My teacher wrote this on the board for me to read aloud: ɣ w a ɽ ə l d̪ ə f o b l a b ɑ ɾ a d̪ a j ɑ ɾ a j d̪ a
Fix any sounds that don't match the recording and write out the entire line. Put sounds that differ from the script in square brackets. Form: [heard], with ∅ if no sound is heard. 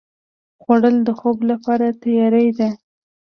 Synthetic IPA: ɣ w a ɽ ə l d̪ ə [x] o b l a [p] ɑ ɾ a [t̪] a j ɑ ɾ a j d̪ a